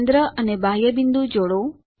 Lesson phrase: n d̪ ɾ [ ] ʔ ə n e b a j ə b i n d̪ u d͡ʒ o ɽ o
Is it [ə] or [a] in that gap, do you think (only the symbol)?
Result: ə